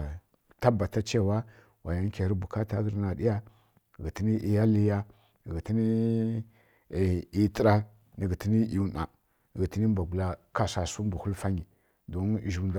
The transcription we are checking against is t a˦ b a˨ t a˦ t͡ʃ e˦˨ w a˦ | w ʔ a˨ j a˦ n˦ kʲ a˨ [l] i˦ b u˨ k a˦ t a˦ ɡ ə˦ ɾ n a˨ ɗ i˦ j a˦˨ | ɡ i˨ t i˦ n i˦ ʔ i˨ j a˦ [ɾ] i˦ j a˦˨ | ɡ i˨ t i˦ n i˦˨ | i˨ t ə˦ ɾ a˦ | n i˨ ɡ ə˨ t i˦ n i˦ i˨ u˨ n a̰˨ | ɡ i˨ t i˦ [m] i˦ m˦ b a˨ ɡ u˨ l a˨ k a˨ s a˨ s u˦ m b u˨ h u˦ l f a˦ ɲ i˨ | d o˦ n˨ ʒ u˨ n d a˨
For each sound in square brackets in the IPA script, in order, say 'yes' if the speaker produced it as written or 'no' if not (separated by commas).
no, no, no